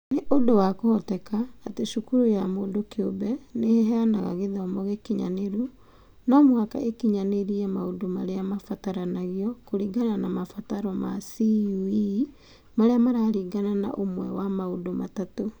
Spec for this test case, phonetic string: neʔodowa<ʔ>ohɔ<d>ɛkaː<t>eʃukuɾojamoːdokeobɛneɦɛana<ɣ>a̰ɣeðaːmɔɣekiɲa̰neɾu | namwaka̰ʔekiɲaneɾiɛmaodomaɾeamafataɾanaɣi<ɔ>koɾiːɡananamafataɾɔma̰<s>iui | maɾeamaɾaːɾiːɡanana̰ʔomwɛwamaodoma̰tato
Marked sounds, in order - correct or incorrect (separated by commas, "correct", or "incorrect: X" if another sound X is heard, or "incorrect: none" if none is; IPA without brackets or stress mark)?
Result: incorrect: k, incorrect: t, correct, correct, correct, correct